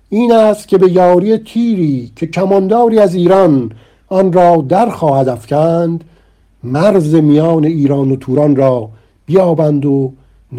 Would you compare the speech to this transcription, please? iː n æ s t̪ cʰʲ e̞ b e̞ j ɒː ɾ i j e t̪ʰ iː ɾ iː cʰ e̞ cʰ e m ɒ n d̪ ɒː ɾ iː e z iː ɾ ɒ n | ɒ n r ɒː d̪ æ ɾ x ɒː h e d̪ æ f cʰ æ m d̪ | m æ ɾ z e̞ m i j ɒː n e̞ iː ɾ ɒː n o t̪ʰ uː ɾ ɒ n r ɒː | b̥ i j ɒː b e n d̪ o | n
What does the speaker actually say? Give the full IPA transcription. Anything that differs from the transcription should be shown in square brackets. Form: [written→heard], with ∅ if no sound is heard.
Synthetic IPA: iː n æ s t̪ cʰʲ e̞ b e̞ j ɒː ɾ i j e t̪ʰ iː ɾ iː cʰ e̞ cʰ [e→æ] m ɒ n d̪ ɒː ɾ iː [e→æ] z iː ɾ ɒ n | ɒ n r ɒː d̪ æ ɾ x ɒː h [e→æ] d̪ æ f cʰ æ [m→n] d̪ | m æ ɾ z e̞ m i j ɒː n e̞ iː ɾ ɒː n o t̪ʰ uː ɾ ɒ n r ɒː | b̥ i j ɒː b [e→æ] n d̪ o | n